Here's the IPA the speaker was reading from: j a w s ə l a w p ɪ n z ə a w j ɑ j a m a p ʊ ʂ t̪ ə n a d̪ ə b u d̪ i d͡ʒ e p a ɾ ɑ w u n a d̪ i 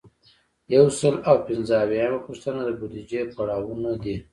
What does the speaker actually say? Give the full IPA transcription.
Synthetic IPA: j a w s ə l a w p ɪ n z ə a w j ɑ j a m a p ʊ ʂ t̪ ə n a d̪ ə b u d̪ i d͡ʒ e p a ɽ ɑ w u n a d̪ i

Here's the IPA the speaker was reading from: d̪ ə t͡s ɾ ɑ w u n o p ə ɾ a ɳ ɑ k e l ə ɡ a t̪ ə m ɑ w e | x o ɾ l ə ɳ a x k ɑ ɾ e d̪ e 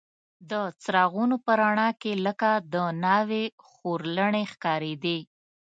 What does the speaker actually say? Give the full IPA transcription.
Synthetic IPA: d̪ ə t͡s ɾ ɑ ɣ u n o p ə ɾ a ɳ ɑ k e l ə k a d̪ ə n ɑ w e | x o ɾ l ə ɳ e x k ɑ ɾ e d̪ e

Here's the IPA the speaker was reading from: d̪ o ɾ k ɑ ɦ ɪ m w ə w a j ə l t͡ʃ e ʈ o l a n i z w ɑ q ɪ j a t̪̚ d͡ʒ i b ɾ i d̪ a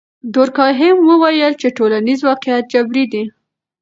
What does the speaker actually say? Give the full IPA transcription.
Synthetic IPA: d̪ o ɾ k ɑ ɦ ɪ m w ə w a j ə l t͡ʃ e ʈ o l a n i z w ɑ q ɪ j a t̪̚ d͡ʒ a b ɾ i d̪ i

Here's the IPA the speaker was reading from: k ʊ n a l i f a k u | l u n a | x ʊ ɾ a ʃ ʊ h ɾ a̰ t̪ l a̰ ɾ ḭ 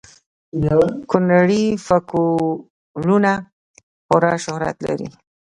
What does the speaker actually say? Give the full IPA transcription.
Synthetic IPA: k ʊ n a ɽ i f a k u | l u n a | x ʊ ɾ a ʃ ʊ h ɾ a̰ t̪ l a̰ ɾ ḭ

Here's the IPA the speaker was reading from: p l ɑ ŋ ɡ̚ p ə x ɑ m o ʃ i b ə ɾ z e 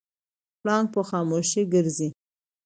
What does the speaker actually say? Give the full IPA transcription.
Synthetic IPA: p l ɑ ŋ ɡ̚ p ə x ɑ m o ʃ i ɡ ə ɾ z i

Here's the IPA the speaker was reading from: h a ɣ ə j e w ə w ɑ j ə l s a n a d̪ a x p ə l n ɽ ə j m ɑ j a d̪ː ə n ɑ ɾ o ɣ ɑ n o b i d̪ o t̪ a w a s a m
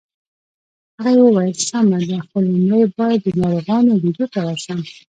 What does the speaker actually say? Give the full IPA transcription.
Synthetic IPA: h a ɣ a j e w ə w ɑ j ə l s a m a d̪ a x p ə l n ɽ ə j b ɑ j a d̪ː ə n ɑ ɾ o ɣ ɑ n o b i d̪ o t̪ a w a s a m

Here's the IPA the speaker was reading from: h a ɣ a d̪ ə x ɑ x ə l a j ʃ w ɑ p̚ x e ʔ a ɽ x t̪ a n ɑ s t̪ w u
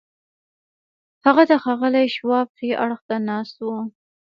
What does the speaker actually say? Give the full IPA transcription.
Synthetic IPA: h a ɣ a d̪ ə x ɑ ɣ ə l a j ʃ w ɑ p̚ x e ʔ a ɽ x t̪ a n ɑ s t̪ w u

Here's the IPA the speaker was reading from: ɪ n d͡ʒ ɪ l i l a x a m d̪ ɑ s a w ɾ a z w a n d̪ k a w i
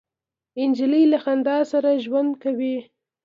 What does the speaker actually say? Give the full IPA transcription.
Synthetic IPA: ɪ n d͡ʒ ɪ l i l a x a n d̪ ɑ s a ɾ a ʒ w a n d̪ k a w i

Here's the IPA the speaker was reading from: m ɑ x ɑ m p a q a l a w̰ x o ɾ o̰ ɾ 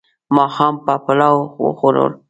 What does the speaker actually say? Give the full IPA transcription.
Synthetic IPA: m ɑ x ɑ m p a p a l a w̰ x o ɾ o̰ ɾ

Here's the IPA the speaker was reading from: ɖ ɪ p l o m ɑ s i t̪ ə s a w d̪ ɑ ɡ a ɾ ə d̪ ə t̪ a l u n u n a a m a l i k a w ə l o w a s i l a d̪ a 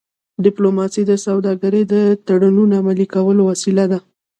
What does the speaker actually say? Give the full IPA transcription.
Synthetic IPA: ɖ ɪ p l o m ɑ s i d̪ ə s a w d̪ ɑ ɡ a ɾ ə d̪ ə t̪ a ɽ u n u n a a m a l i k a w ə l o w a s i l a d̪ a

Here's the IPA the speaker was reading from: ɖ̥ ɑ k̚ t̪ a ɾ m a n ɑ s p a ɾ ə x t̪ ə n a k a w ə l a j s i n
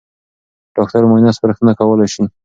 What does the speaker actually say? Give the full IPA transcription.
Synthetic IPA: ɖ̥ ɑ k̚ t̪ a ɾ m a n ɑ s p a ɾ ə x t̪ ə n a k a w ə l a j ʃ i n

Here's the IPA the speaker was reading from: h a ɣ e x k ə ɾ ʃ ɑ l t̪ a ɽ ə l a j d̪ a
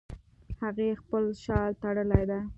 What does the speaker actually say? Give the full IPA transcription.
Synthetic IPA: h a ɣ e x p ə l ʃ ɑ l t̪ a ɽ ə l a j d̪ a

